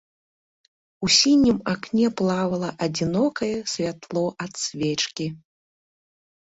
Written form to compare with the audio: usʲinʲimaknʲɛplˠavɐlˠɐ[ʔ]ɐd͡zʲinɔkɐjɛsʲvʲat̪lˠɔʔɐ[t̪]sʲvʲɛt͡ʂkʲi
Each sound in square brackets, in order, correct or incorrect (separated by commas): correct, correct